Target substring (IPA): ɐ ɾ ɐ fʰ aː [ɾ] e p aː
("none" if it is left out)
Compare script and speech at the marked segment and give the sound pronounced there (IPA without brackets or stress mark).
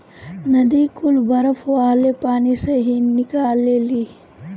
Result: l